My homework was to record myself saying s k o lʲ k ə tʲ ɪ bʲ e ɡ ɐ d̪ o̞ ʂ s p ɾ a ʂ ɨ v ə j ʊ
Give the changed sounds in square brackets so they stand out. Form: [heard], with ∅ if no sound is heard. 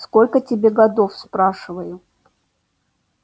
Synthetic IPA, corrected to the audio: s k o lʲ k ə tʲ ɪ bʲ e ɡ ɐ d̪ o̞ [f] s p ɾ a ʂ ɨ v ə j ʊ